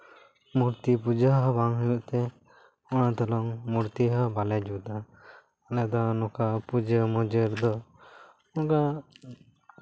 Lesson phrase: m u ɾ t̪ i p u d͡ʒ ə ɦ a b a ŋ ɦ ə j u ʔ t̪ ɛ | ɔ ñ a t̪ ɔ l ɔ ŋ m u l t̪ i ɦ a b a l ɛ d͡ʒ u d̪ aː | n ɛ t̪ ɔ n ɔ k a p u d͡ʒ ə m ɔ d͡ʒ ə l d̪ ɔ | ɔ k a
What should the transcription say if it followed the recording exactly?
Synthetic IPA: m u ɾ t̪ i p u d͡ʒ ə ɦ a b a ŋ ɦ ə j u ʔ t̪ ɛ | ɔ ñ a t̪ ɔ l ɔ ŋ m u ɾ t̪ i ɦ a b a l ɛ d͡ʒ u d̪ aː | n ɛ d̪ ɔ n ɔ k a p u d͡ʒ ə m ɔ d͡ʒ ə ɾ d̪ ɔ | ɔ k a